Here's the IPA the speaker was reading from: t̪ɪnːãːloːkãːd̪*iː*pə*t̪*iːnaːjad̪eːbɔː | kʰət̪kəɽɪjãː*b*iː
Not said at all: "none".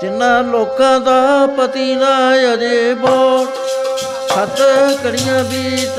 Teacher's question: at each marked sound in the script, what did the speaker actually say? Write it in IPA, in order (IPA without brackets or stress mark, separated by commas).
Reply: aː, t̪, b